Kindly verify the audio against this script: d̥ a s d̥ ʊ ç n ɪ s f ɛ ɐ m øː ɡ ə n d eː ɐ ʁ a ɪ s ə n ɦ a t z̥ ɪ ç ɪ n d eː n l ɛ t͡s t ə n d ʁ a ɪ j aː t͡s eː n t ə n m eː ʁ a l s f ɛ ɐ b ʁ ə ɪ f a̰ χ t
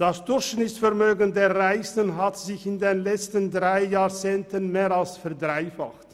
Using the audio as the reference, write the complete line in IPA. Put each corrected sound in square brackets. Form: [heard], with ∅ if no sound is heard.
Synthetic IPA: d̥ a s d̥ ʊ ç n ɪ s f ɛ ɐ m øː ɡ ə n d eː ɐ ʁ a ɪ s ə n ɦ a t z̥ ɪ ç ɪ n d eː n l ɛ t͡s t ə n d ʁ a ɪ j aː t͡s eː n t ə n m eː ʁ a l s f ɛ ɐ [d] ʁ [a] ɪ f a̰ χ t